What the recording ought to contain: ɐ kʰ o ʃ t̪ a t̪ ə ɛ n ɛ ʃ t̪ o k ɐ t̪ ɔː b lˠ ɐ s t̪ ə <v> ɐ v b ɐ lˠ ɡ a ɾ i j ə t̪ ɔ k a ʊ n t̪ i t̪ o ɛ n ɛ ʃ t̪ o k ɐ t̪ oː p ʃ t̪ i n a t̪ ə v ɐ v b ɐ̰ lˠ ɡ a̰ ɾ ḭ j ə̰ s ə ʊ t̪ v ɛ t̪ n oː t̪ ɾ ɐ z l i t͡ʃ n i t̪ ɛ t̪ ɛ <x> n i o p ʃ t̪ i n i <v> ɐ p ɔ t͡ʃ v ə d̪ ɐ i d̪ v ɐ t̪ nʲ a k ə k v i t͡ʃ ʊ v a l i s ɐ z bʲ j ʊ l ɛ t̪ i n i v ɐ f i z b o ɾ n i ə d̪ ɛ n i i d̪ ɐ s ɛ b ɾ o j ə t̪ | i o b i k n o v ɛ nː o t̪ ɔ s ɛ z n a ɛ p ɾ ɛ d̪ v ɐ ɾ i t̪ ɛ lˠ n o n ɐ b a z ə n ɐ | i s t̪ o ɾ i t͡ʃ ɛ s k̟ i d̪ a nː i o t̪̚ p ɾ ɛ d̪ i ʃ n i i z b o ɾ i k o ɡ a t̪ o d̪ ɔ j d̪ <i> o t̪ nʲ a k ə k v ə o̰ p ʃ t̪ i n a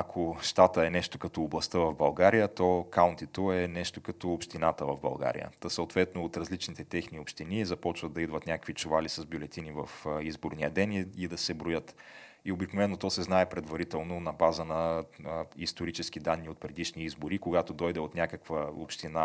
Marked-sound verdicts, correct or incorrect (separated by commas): correct, correct, incorrect, incorrect